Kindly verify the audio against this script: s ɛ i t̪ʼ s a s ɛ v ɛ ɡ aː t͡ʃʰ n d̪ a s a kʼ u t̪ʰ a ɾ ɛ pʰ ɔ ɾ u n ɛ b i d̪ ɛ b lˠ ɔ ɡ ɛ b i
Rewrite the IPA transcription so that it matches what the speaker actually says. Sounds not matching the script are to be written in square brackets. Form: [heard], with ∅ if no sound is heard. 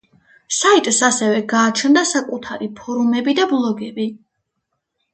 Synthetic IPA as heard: s [a] i t̪ʼ s a s ɛ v ɛ ɡ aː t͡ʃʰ n d̪ a s a kʼ u t̪ʰ a ɾ [i] pʰ ɔ ɾ u [m] ɛ b i d̪ [a] b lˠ ɔ ɡ ɛ b i